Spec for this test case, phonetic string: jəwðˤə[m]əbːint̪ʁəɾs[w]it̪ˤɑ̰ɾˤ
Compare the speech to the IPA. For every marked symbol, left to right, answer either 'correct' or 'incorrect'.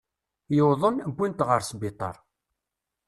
incorrect: n, incorrect: b

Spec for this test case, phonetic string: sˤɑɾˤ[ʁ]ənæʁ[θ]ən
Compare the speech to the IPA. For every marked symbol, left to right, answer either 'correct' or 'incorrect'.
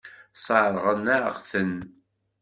correct, correct

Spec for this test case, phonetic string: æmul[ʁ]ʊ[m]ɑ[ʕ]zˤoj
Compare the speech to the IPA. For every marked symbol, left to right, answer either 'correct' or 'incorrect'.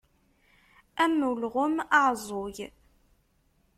correct, correct, correct

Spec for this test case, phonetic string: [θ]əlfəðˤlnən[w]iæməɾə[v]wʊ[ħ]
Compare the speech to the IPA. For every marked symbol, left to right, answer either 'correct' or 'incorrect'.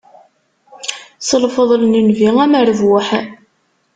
incorrect: s, incorrect: v, correct, correct

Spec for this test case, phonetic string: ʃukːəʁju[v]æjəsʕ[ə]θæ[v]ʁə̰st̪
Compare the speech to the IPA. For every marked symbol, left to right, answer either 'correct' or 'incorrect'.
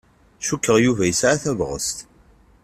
correct, incorrect: a, correct

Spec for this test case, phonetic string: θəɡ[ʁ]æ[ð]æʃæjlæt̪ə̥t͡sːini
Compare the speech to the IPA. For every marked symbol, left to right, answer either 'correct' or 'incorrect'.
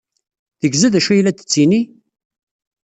incorrect: z, correct

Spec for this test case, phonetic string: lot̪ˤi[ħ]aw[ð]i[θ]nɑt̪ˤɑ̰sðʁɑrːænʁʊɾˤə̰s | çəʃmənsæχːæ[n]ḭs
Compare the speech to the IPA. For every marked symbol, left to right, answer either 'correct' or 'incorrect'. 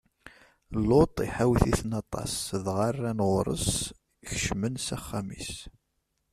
correct, incorrect: θ, correct, incorrect: m

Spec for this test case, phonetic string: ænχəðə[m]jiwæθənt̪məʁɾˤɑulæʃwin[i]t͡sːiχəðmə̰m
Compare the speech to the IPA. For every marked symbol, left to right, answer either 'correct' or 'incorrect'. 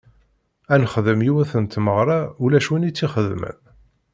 correct, correct

